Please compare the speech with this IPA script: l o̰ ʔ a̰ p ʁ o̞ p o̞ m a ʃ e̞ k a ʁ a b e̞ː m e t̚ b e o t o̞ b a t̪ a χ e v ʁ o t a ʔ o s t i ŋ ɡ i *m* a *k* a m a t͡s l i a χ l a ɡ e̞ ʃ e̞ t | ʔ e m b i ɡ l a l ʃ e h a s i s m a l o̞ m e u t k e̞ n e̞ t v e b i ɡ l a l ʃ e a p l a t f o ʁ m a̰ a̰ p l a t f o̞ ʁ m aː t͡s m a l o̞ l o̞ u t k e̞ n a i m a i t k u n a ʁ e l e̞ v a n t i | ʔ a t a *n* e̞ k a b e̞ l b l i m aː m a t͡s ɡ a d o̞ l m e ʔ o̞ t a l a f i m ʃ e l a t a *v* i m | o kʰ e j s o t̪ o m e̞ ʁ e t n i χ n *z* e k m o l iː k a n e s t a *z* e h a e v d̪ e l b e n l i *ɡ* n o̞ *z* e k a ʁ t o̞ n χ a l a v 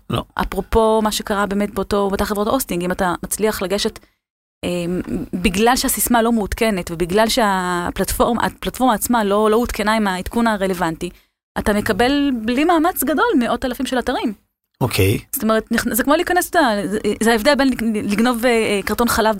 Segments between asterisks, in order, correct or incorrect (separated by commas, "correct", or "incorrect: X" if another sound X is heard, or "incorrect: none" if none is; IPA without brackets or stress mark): correct, incorrect: t, incorrect: m, incorrect: ʁ, correct, correct, correct, incorrect: v